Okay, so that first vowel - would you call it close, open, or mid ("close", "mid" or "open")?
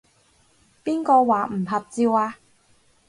close